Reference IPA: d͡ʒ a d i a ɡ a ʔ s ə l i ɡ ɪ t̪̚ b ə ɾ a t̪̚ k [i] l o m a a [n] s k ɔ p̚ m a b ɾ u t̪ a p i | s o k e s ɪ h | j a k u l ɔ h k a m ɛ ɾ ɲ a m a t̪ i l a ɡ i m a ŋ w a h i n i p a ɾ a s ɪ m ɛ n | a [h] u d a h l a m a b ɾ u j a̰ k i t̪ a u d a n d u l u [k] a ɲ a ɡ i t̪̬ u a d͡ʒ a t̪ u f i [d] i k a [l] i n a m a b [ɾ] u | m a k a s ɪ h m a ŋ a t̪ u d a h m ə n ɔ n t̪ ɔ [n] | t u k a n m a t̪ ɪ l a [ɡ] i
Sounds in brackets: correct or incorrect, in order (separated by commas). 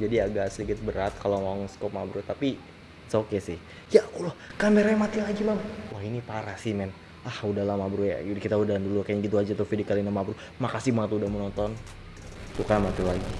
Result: incorrect, incorrect, correct, correct, correct, correct, correct, correct, correct